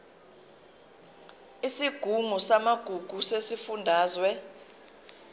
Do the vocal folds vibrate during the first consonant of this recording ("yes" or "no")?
no